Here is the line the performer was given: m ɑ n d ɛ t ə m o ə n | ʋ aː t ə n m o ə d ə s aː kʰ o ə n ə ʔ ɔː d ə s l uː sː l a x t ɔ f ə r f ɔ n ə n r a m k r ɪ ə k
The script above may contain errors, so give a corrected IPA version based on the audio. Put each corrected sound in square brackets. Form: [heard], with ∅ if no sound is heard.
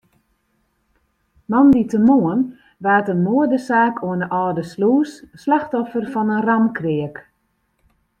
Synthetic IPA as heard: m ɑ n d [i] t ə m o ə n | ʋ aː t ə n m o ə d ə s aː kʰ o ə n ə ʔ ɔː d ə s l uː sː l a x t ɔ f ə r f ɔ n ə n r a m k r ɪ ə k